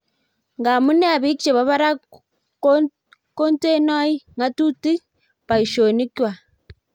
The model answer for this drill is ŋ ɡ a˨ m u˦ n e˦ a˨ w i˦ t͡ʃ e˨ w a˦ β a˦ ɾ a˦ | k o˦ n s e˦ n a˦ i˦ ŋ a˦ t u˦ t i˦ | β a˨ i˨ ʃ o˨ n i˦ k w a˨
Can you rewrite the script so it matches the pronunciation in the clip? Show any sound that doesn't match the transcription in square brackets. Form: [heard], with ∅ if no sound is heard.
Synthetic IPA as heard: ŋ ɡ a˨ m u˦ n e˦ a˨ [β] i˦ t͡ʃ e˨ [β] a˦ β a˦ ɾ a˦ | k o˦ n [t] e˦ n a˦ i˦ ŋ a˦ t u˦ t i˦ | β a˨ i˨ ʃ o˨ n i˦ k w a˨